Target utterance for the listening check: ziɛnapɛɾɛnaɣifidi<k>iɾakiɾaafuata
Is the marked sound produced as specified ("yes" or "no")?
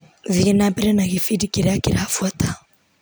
yes